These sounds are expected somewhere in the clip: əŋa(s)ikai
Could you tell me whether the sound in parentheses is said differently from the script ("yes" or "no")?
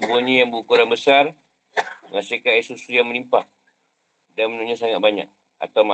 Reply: no